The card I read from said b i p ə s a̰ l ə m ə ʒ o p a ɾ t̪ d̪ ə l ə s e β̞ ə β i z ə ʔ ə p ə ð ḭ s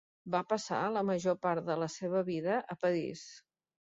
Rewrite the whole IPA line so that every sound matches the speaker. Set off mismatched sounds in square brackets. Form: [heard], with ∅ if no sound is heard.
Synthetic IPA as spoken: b [a] p ə s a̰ l ə m ə ʒ o p a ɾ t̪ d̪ ə l ə s e β̞ ə β i [ð] ə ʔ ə p ə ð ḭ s